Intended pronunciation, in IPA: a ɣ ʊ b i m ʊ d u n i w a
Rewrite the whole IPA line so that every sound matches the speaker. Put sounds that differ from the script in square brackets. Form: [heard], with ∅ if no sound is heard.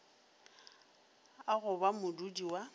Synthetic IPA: a ɣ ʊ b [a] m ʊ d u [d] i w a